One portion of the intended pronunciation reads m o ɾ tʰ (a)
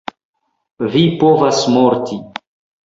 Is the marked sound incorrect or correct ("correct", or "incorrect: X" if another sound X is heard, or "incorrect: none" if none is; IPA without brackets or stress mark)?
incorrect: i